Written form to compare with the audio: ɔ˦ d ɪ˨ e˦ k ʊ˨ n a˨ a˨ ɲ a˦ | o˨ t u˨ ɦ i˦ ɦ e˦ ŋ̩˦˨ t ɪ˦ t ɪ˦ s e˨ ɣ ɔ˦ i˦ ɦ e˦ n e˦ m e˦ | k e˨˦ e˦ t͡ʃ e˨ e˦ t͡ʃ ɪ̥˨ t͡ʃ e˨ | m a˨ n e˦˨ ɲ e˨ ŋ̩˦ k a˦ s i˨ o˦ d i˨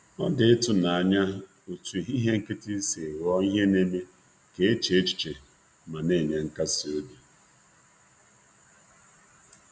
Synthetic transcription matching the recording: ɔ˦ d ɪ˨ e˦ t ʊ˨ n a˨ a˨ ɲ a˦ | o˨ t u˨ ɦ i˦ ɦ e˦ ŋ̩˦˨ k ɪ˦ t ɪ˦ s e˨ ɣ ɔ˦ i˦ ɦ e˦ n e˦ m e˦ | k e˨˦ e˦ t͡ʃ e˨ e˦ t͡ʃ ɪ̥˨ t͡ʃ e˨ | m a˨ n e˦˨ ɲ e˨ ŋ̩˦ k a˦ s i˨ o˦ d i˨